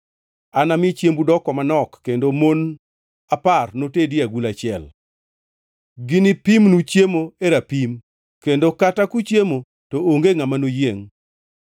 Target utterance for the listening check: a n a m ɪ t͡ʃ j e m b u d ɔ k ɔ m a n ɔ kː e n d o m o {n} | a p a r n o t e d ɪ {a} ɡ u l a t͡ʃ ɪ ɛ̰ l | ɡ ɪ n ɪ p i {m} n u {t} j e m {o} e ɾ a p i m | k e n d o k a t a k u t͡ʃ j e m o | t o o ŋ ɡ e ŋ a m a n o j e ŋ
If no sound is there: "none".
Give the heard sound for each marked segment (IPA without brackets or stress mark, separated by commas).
n, a, m, t͡ʃ, o